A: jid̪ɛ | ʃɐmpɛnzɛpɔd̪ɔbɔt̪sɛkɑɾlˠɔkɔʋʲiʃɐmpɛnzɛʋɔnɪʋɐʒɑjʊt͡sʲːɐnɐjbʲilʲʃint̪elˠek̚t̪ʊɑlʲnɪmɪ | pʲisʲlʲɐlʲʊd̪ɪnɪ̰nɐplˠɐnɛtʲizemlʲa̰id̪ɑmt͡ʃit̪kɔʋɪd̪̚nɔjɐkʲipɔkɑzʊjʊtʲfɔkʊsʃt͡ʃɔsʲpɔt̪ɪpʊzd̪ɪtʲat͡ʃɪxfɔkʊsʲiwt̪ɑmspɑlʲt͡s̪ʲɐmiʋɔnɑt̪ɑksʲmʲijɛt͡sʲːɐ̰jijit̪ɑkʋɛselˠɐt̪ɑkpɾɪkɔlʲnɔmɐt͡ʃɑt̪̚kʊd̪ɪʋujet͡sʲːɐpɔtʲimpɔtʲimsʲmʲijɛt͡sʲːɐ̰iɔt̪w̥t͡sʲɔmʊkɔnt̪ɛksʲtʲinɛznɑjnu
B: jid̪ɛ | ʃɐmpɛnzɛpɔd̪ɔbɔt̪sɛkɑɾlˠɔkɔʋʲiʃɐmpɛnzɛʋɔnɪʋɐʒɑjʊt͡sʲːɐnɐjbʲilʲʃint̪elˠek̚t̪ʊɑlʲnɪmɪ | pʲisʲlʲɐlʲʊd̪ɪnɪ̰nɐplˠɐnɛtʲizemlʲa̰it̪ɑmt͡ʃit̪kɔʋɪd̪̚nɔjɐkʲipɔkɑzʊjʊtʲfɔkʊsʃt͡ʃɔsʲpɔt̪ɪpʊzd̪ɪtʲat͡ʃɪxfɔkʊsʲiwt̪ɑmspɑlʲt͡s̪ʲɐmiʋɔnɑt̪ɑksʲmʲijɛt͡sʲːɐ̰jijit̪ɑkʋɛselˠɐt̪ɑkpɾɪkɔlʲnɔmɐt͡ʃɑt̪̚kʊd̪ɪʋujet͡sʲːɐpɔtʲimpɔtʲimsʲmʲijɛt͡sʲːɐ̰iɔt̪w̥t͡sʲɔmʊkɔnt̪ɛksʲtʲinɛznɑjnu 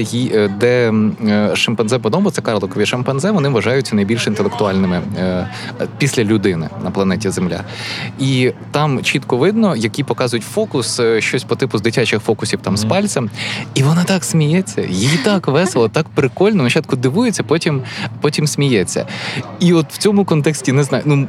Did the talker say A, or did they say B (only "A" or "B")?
B